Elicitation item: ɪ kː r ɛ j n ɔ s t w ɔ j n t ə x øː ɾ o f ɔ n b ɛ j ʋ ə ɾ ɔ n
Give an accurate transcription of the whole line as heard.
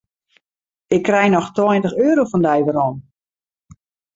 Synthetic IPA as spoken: ɪ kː r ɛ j n ɔ x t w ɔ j n t ə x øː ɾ o f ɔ n d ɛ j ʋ ə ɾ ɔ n